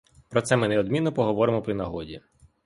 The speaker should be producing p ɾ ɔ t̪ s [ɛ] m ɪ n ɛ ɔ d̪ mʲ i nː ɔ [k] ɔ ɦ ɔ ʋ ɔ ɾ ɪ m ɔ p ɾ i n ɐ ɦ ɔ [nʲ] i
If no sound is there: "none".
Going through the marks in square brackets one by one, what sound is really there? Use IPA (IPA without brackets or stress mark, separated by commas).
ɛ, p, dʲ